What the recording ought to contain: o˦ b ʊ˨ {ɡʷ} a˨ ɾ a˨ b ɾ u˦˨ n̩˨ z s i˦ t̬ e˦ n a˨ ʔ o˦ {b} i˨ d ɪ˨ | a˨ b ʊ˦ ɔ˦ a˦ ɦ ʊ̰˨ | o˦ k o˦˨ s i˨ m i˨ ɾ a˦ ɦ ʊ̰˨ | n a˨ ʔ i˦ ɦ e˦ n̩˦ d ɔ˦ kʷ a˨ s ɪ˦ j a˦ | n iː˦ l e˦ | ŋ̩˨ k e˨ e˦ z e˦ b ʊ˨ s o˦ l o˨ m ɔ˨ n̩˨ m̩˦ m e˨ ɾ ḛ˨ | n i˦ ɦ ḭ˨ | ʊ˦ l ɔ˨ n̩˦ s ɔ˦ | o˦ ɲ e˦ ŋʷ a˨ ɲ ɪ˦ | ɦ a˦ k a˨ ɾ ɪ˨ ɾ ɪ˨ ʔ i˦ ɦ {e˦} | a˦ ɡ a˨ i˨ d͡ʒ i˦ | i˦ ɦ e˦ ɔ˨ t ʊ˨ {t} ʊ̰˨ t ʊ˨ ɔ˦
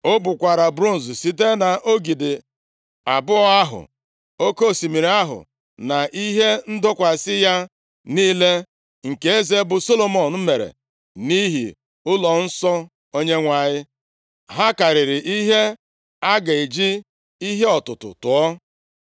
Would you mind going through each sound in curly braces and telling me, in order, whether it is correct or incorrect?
incorrect: kʷ, incorrect: ɡ, correct, correct

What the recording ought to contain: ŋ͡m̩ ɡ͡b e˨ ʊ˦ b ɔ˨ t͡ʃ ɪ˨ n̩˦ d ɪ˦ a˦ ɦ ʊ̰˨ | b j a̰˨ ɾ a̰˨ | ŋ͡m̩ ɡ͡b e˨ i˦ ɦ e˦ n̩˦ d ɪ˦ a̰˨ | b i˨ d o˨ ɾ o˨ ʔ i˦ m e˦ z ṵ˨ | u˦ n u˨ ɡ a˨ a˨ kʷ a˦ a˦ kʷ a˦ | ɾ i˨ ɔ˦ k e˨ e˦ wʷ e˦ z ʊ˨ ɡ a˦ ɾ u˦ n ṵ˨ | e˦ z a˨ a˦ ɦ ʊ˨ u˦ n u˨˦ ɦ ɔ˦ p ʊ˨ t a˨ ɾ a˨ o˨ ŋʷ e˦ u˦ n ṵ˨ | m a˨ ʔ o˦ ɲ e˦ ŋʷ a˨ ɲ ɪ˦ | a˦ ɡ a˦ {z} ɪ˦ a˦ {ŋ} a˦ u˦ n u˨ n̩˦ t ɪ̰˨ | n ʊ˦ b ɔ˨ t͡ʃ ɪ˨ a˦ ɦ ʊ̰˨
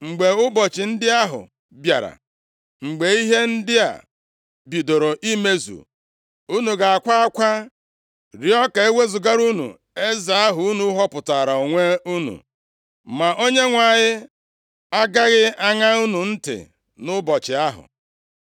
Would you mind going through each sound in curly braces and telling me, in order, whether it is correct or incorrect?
incorrect: ɣ, correct

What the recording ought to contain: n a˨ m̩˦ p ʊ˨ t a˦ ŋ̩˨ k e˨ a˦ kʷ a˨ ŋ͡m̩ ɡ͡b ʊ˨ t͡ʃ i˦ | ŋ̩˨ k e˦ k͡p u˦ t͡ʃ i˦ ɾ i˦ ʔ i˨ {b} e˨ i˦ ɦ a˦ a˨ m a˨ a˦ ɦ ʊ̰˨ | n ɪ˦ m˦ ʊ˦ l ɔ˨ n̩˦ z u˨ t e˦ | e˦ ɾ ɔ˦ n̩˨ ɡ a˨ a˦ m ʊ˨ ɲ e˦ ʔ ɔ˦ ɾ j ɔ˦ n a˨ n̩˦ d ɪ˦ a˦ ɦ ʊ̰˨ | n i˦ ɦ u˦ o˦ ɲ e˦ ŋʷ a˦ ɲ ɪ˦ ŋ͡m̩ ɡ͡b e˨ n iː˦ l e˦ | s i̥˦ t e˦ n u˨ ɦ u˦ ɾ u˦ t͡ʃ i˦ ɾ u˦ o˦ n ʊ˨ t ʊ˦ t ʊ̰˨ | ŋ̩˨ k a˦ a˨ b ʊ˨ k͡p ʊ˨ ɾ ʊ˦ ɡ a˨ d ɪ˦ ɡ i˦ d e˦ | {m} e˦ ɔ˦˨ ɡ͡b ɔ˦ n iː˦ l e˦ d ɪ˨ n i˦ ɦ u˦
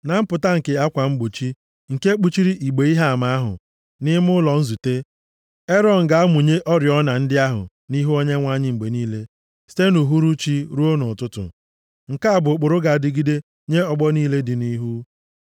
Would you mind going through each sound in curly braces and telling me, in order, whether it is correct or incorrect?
incorrect: ɡ͡b, incorrect: ɲ

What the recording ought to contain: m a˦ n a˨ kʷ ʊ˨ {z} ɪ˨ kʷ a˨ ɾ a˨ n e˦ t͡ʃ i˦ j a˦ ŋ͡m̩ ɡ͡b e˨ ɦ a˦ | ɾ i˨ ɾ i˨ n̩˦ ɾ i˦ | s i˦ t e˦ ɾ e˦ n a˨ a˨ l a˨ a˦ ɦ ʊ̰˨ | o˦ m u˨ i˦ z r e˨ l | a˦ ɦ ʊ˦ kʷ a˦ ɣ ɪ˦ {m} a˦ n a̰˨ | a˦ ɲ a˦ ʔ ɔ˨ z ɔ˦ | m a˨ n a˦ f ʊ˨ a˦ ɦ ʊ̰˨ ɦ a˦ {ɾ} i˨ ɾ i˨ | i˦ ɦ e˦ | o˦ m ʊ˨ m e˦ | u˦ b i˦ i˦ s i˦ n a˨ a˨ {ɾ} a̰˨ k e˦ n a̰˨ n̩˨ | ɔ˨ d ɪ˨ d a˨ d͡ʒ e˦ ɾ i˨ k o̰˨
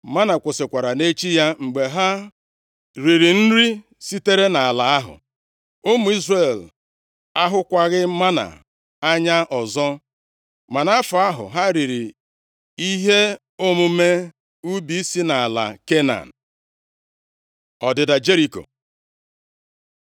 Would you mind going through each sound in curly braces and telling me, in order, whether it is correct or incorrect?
incorrect: s, correct, correct, incorrect: l

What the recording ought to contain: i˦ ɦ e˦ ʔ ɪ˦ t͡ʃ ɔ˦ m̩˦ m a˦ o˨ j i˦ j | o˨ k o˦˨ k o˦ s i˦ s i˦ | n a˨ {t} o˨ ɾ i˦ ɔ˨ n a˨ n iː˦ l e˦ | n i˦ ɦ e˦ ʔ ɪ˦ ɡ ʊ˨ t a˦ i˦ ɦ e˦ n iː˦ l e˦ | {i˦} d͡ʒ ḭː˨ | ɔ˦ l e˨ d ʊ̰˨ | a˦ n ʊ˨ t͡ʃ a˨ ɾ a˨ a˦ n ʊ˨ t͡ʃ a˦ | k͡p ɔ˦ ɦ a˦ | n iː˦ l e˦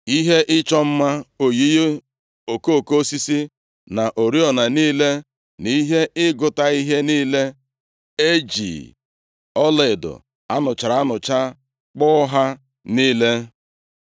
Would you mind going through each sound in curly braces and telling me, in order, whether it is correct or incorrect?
incorrect: ʔ, incorrect: e˦

